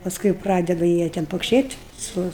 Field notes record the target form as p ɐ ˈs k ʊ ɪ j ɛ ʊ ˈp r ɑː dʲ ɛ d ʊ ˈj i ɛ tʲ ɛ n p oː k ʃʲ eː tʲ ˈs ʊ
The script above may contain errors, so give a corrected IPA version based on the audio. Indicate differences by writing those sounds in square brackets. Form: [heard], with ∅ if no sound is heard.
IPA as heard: p ɐ ˈs k ʊ ɪ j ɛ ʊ ˈp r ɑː dʲ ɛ d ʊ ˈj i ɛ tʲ ɛ n p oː k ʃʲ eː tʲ ˈs ʊ